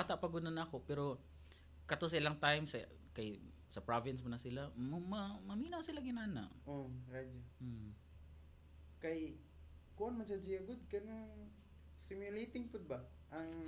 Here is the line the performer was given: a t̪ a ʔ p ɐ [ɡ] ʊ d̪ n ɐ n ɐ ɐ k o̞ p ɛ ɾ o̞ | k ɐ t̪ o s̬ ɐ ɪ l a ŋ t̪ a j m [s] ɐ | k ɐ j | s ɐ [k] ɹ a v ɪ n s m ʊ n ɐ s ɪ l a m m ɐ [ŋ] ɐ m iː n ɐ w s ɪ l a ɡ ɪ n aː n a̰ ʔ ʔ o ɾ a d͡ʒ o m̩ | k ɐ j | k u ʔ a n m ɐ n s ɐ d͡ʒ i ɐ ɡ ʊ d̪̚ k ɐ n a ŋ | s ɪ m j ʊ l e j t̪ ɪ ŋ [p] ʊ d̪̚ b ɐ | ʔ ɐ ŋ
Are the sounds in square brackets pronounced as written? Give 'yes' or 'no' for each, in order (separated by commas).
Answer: yes, yes, no, no, yes